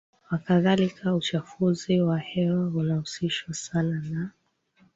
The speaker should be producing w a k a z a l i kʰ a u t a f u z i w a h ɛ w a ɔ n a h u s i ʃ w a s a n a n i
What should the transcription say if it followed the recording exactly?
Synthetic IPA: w a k a ð a l i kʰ a u t͡ʃ a f u z i w a h ɛ w a u n a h u s i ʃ w a s a n a n a

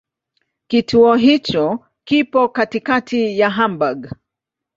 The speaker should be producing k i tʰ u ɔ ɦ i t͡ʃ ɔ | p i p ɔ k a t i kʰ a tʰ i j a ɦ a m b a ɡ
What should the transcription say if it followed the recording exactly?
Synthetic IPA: k i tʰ u ɔ ɦ i t͡ʃ ɔ | k i p ɔ k a t i k a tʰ i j a ɦ a m b a ɡ

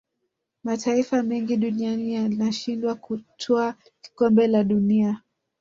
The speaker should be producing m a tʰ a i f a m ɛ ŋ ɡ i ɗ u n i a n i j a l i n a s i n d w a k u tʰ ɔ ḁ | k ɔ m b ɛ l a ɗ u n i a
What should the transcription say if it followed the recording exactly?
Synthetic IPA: m a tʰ a i f a m ɛ ŋ ɡ i ɗ u n i a n i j a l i n a ʃ i n d w a k u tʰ ɔ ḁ | k ɔ m b ɛ l a ɗ u n i a

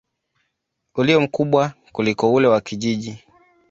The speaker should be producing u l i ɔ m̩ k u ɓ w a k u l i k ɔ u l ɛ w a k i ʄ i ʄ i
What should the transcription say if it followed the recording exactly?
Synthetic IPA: u l i ɔ m̩ k u ɓ w a k u l i k ɔ u l ɛ w a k i ʄ i ʄ i

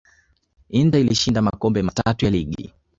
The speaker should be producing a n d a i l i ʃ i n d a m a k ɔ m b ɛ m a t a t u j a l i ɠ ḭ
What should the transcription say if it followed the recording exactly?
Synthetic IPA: i n d a i l i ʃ i n d a m a k ɔ m b ɛ m a t a t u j a l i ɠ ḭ

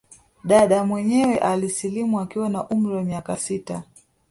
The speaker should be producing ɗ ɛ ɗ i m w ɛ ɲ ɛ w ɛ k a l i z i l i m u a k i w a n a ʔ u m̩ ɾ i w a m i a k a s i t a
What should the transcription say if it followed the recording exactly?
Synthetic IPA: ɗ a ɗ a m w ɛ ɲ ɛ w ɛ ʔ a l i s i l i m u a k i w a n a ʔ u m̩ ɾ i w a m i a k a s i t a

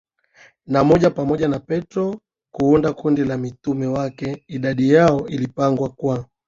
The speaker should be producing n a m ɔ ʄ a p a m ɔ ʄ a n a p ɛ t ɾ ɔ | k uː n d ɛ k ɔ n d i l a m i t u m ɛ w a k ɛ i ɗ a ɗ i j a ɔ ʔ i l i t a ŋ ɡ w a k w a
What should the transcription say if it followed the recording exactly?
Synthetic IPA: n a m ɔ ʄ a p a m ɔ ʄ a n a p ɛ t ɾ ɔ | k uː n d a k u n d i l a m i t u m ɛ w a k ɛ i ɗ a ɗ i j a ɔ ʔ i l i p a ŋ ɡ w a k w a

